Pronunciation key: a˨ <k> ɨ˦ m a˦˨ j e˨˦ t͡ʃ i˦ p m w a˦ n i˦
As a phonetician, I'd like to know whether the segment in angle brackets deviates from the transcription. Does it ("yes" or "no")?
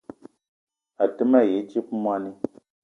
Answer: yes